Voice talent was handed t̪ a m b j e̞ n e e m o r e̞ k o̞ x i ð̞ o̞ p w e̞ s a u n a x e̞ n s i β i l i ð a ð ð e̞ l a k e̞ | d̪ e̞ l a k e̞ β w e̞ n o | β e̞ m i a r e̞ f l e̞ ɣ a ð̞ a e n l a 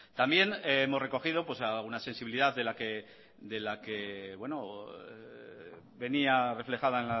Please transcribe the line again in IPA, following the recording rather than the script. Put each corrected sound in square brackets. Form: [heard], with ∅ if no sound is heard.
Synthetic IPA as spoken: t̪ a m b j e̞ n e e m o r e̞ k o̞ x i ð̞ o̞ p w e̞ s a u n a [s] e̞ n s i β i l i ð a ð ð e̞ l a k e̞ | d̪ e̞ l a k e̞ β w e̞ n o | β e̞ [n] i a r e̞ f l e̞ [x] a ð̞ a e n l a

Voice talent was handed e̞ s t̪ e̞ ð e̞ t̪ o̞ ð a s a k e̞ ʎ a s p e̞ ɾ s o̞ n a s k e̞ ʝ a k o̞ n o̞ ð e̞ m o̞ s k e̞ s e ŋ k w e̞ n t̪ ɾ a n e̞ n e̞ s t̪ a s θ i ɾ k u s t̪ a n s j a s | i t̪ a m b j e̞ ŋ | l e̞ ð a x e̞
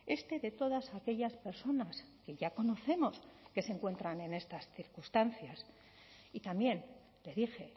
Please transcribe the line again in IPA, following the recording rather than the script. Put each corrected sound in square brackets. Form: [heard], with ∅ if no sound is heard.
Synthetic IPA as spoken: e̞ s t̪ e̞ ð e̞ t̪ o̞ ð a s a k e̞ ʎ a s p e̞ ɾ s o̞ n a s k e̞ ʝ a k o̞ n o̞ [θ] e̞ m o̞ s k e̞ s e ŋ k w e̞ n t̪ ɾ a n e̞ n e̞ s t̪ a s θ i ɾ k u s t̪ a n [θ] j a s | i t̪ a m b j e̞ [n] | l e̞ ð [i] x e̞

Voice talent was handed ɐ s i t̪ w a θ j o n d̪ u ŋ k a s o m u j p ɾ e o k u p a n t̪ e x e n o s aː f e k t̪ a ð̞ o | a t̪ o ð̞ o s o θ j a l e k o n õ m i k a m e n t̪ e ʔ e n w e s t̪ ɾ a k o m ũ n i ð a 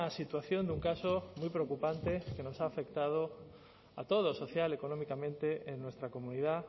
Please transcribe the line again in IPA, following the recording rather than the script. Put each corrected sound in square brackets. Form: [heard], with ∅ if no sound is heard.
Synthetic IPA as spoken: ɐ s i t̪ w a θ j o n d̪ u ŋ k a s o m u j p ɾ e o k u p a n t̪ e [k] e n o s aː f e k t̪ a ð̞ o | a t̪ o ð̞ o s o θ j a l e k o n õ m i k a m [ẽ] n t̪ e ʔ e n w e s t̪ ɾ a k o m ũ n i ð a

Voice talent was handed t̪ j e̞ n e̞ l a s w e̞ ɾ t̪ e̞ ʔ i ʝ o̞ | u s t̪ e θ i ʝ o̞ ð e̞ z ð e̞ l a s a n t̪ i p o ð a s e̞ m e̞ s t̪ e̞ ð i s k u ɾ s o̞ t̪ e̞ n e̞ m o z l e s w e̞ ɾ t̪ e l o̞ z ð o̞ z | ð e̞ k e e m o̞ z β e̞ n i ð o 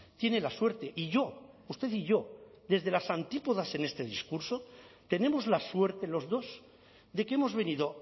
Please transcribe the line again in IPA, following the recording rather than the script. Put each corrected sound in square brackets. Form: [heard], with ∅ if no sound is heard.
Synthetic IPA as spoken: t̪ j e̞ n e̞ l a s w e̞ ɾ t̪ e̞ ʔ i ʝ o̞ | u s t̪ e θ i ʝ o̞ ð e̞ z ð e̞ l a s a n t̪ i p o ð a s e̞ [n] e̞ s t̪ e̞ ð i s k u ɾ s o̞ t̪ e̞ n e̞ m o z l [a] s w e̞ ɾ t̪ e l o̞ z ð o̞ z | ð e̞ k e e m o̞ z β e̞ n i ð o

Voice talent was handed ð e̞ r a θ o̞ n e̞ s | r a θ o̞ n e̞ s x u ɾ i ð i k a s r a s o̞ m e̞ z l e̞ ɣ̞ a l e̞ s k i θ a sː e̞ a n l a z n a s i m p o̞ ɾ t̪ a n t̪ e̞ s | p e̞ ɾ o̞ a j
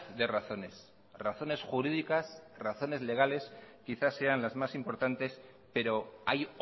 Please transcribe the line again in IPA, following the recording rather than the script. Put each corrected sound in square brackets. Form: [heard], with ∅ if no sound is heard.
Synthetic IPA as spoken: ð e̞ r a θ o̞ n e̞ s | r a θ o̞ n e̞ s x u ɾ i ð i k a s r a [θ] o̞ [n] e̞ z l e̞ ɣ̞ a l e̞ s k i θ a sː e̞ a n l a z [m] a s i m p o̞ ɾ t̪ a n t̪ e̞ s | p e̞ ɾ o̞ a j

